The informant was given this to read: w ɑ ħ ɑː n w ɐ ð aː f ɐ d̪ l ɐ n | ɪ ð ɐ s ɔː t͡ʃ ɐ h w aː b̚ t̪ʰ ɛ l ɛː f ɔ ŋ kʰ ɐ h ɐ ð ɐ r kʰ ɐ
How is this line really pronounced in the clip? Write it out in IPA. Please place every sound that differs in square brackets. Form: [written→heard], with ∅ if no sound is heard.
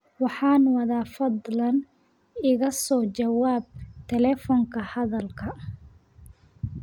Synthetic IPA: w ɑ ħ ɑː n w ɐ ð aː f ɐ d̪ l ɐ n | ɪ [ð→ɣ] ɐ s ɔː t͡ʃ ɐ [h→∅] w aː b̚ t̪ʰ ɛ l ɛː f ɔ ŋ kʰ ɐ h ɐ ð ɐ [r→l] kʰ ɐ